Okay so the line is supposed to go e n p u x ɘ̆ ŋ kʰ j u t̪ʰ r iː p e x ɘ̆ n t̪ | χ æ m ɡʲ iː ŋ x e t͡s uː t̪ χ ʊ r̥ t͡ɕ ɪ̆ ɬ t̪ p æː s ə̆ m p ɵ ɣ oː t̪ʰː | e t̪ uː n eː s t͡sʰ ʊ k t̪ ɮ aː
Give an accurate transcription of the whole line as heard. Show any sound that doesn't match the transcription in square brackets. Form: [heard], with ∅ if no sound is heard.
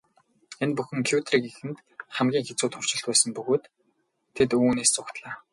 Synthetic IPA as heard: e n p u x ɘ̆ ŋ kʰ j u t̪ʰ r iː [k] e x ɘ̆ n t̪ | χ æ m ɡʲ iː ŋ x e t͡s uː t̪ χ ʊ r̥ t͡ɕ ɪ̆ ɬ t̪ p æː s ə̆ m p ɵ ɣ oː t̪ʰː | e t̪ uː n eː s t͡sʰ ʊ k t̪ ɮ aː